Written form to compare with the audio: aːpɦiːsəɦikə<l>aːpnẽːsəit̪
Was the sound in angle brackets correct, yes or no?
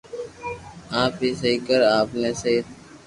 no